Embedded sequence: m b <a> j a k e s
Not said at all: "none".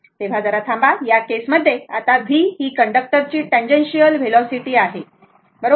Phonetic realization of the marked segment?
a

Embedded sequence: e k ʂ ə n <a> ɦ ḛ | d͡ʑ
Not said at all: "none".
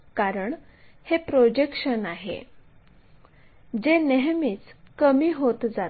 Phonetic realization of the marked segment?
a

